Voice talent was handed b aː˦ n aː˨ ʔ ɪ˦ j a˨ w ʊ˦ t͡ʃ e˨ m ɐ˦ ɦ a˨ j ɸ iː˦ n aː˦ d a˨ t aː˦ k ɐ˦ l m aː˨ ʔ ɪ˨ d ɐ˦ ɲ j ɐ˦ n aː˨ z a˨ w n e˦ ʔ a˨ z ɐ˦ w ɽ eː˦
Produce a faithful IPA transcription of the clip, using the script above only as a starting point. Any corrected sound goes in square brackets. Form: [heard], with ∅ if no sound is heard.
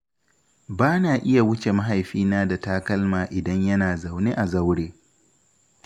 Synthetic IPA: b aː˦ n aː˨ ʔ ɪ˦ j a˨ w ʊ˦ t͡ʃ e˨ m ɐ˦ ɦ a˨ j ɸ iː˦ n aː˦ d a˨ t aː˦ k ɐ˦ l m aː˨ ʔ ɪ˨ d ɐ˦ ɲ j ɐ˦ n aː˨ z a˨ w n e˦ ʔ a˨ z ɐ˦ w ɽ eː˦